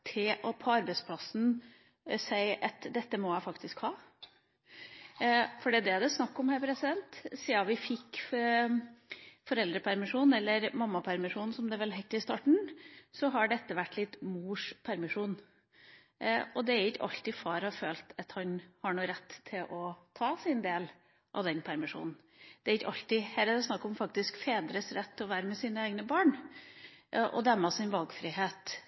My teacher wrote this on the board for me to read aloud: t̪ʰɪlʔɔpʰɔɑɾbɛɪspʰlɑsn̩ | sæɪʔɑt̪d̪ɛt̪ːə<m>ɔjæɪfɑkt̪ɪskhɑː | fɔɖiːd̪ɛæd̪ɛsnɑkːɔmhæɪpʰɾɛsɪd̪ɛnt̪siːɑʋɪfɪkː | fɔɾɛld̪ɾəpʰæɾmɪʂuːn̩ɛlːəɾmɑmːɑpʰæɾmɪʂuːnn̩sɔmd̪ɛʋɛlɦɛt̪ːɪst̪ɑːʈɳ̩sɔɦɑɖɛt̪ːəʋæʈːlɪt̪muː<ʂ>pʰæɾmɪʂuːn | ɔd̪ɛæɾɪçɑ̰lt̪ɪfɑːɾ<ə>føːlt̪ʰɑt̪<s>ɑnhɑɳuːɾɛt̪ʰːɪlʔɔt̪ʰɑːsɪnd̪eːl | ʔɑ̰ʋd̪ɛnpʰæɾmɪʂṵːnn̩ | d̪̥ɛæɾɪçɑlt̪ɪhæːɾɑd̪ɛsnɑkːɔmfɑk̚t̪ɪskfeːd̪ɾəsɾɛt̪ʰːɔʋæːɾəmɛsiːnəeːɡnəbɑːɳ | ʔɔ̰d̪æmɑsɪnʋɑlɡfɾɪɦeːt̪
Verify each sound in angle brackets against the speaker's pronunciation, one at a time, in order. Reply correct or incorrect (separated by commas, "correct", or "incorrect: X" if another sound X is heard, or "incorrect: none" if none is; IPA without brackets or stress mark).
correct, correct, incorrect: ɑ, incorrect: h